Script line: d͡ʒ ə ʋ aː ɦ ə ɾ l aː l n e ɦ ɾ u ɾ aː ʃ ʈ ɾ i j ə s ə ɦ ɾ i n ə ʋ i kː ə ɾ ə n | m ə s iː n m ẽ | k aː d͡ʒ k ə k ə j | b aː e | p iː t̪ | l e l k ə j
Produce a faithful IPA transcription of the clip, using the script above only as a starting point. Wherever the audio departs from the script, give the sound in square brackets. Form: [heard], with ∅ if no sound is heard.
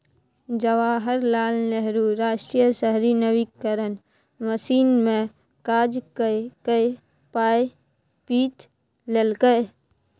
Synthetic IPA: d͡ʒ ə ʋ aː ɦ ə ɾ l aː l n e ɦ ɾ u ɾ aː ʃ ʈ ɾ i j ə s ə ɦ ɾ i n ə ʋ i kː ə ɾ ə n | m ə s iː n m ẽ | k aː d͡ʒ k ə k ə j | [p] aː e | p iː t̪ | l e l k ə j